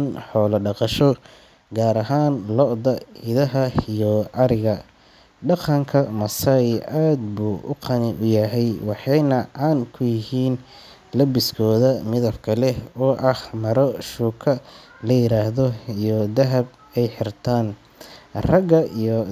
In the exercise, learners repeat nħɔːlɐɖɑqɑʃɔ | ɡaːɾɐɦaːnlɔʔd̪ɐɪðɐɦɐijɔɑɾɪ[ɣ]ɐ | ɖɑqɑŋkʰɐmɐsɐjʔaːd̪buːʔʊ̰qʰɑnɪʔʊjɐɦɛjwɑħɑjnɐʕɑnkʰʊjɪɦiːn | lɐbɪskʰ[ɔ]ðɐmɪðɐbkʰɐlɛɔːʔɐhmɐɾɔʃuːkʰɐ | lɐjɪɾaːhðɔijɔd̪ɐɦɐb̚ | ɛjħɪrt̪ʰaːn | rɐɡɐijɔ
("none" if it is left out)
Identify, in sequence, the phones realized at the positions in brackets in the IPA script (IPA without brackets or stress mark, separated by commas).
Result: ɣ, ɔː